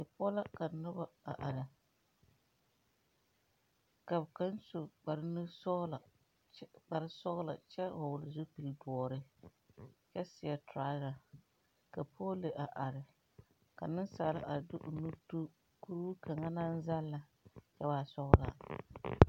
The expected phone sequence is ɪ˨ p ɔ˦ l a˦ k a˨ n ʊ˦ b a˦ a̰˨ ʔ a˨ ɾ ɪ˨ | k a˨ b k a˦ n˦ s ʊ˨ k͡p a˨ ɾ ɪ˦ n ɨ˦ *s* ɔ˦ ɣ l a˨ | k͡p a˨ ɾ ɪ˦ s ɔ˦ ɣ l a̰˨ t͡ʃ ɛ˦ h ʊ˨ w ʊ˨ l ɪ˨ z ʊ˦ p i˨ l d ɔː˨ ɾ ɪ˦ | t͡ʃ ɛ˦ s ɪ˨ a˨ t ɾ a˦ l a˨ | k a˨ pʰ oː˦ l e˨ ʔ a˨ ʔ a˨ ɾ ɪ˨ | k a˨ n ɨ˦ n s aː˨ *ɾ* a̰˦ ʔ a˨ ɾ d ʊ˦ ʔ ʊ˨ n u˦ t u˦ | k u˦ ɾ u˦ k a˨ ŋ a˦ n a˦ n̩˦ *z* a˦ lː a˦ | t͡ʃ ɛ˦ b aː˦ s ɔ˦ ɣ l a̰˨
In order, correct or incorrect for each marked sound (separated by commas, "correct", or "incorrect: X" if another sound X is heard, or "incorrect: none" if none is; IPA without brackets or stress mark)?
correct, incorrect: l, correct